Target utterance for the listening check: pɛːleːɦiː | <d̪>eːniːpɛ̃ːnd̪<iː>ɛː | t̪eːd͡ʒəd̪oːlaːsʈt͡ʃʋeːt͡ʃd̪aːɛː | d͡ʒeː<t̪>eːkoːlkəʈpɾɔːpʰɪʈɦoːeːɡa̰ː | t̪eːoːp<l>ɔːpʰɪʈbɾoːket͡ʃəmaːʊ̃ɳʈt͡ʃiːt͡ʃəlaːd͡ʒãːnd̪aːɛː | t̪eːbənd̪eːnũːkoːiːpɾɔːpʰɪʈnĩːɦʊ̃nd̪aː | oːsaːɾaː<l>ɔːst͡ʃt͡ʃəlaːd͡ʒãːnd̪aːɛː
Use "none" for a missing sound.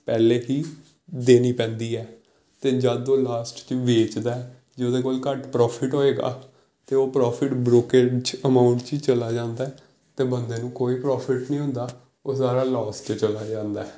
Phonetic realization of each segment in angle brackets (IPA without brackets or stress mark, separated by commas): d̪, iː, d̪, ɾ, l